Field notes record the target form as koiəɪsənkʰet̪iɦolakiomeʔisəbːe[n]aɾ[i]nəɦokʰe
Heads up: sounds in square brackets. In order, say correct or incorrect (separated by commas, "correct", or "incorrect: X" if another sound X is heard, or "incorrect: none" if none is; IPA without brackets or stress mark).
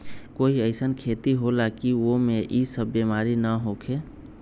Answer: incorrect: m, correct